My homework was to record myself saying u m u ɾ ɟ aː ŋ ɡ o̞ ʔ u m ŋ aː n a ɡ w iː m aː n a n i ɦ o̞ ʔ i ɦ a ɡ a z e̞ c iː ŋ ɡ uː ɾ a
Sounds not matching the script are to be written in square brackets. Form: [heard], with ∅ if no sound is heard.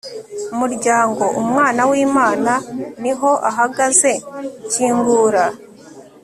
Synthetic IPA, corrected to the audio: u m u ɾ ɟ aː ŋ ɡ o̞ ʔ u m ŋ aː n a [∅] w iː m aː n a n i ɦ o̞ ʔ [a] ɦ a ɡ a z e̞ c iː ŋ ɡ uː ɾ a